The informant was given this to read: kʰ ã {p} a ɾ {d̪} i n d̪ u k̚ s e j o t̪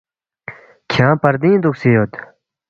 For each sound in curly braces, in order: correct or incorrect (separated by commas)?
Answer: correct, correct